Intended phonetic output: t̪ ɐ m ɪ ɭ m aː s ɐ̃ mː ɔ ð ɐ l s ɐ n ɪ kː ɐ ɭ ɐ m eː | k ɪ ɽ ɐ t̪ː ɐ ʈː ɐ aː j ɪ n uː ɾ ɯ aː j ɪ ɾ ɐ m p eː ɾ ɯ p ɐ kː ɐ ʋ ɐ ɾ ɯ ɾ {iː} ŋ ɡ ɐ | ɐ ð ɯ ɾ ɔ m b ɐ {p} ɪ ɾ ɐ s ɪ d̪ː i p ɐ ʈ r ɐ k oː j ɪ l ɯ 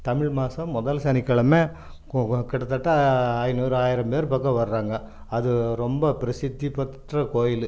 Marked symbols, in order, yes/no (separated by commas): no, yes